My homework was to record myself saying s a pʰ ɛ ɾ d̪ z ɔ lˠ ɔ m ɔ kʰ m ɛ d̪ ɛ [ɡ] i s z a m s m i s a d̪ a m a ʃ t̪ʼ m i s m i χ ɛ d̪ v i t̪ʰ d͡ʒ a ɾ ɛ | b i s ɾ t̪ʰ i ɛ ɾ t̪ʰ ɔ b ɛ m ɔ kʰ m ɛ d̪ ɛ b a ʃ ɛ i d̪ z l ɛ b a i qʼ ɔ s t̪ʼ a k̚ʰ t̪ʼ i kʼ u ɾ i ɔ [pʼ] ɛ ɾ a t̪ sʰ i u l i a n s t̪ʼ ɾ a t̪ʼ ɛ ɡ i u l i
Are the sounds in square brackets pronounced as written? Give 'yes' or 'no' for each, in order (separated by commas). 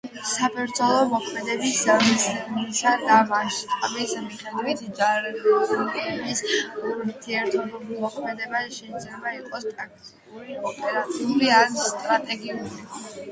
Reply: no, yes